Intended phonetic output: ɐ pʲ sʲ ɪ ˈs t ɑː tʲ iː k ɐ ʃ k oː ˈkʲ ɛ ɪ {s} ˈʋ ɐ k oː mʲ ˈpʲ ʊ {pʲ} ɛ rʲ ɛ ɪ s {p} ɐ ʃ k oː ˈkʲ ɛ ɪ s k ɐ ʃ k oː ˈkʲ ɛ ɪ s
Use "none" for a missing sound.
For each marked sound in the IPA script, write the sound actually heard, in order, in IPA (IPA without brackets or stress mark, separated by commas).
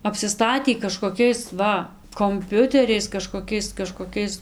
s, tʲ, k